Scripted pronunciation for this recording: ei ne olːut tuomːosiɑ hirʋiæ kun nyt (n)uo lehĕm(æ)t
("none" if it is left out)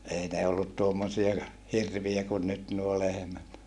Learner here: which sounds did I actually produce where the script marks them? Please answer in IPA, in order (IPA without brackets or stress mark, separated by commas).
n, æ